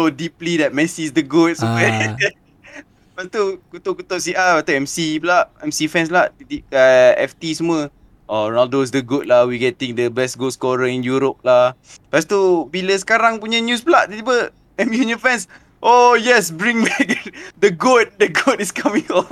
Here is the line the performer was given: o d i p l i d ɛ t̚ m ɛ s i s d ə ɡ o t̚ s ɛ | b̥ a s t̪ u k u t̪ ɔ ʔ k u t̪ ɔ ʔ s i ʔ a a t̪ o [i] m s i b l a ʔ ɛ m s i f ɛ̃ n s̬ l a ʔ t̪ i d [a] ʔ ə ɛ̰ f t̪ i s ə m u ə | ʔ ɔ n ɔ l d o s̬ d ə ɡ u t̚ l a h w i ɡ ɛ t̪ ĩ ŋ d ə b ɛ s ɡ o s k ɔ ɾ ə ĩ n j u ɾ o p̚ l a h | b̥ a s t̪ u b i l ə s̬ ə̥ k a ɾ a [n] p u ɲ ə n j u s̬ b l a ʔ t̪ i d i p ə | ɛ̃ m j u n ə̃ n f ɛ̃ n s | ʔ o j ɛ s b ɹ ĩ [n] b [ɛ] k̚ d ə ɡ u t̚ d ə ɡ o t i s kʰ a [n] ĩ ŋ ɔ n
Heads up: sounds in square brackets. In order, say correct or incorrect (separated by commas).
incorrect, incorrect, incorrect, incorrect, correct, incorrect